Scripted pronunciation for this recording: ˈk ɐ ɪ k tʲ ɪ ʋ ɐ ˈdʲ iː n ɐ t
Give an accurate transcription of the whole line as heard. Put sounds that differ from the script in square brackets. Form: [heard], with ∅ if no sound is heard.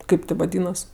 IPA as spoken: ˈk ɐ ɪ [p] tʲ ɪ ʋ ɐ ˈdʲ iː n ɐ [s]